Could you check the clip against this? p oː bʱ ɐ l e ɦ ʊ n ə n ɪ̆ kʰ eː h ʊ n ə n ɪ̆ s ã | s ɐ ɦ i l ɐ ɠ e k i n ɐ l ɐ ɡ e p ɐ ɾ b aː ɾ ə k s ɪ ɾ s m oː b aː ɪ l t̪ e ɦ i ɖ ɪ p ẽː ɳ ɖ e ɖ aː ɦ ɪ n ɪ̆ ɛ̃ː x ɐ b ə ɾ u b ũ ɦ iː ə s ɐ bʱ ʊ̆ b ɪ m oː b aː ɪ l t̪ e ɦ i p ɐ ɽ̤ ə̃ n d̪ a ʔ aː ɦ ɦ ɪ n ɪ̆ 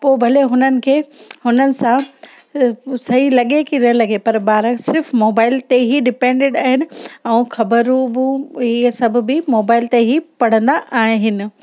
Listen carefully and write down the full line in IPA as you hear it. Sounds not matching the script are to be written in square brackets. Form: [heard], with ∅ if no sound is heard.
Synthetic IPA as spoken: p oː bʱ ɐ l e ɦ ʊ n ə n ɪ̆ kʰ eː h ʊ n ə n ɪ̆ s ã | s ɐ ɦ i l ɐ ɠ e k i n ɐ l ɐ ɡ e p ɐ ɾ b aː ɾ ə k s ɪ ɾ [f] m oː b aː ɪ l t̪ e ɦ i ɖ ɪ p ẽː ɳ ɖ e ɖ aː ɦ ɪ n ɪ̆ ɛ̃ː x ɐ b ə ɾ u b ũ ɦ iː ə s ɐ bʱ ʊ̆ b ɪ m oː b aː ɪ l t̪ e ɦ i p ɐ ɽ̤ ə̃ n d̪ a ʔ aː ɦ ɦ ɪ n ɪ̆